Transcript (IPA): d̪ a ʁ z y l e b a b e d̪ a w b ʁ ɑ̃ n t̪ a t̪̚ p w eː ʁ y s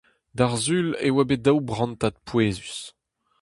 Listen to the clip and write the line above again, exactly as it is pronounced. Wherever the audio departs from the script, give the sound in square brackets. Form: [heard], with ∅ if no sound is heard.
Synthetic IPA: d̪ a ʁ z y l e [w] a b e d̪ a w b ʁ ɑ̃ n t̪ a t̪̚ p w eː [z] y s